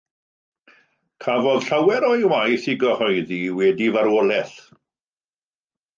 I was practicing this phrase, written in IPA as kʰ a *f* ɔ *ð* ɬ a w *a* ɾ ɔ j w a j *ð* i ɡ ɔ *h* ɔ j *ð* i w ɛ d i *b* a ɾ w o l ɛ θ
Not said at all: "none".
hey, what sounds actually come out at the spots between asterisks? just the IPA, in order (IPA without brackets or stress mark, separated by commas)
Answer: v, ð, ɛ, θ, h, ð, v